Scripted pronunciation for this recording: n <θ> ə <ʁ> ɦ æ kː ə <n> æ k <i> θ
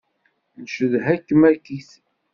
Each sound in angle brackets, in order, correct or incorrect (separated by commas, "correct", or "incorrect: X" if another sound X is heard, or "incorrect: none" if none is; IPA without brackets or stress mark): incorrect: ʃ, incorrect: ð, incorrect: m, correct